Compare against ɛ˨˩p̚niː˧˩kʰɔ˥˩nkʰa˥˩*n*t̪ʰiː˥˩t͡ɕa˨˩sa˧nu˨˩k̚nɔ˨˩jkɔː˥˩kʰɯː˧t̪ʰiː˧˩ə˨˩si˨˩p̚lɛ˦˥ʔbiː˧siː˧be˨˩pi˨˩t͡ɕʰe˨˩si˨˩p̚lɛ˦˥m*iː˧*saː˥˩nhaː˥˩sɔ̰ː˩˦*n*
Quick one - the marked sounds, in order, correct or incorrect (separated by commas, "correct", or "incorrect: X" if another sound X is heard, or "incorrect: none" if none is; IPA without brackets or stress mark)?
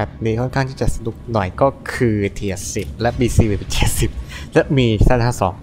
incorrect: ŋ, correct, incorrect: ŋ